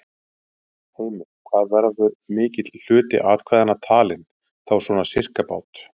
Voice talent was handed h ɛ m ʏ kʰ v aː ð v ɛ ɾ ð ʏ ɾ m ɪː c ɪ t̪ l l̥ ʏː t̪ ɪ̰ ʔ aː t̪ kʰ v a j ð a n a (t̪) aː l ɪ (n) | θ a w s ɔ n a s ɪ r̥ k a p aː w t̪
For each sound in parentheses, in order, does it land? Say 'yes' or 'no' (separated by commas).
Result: no, yes